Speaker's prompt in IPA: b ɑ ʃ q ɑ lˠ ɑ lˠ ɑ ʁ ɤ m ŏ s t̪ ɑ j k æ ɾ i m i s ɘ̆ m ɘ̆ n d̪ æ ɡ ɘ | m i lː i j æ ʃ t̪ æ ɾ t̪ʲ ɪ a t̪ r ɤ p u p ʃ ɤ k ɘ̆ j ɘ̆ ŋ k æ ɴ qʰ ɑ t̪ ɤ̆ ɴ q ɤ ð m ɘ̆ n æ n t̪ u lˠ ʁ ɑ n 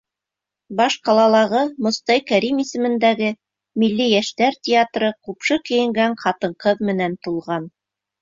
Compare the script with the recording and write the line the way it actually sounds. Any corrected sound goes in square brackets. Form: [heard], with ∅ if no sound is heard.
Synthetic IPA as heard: b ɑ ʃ q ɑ lˠ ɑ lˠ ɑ ʁ ɤ m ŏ s t̪ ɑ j k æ ɾ i m i s ɘ̆ m ɘ̆ n d̪ æ ɡ ɘ | m i lː i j æ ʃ t̪ æ ɾ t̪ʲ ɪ a t̪ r ɤ [q] u p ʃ ɤ k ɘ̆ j ɘ̆ ŋ [ɡ] æ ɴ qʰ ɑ t̪ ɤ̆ ɴ q ɤ ð m ɘ̆ n æ n t̪ u lˠ ʁ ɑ n